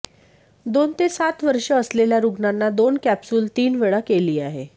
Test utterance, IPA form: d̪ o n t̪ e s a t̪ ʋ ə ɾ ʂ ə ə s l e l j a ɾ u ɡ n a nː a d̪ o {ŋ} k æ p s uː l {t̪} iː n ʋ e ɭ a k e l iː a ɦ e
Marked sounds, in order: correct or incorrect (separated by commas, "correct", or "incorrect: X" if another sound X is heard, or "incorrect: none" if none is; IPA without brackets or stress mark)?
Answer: incorrect: n, correct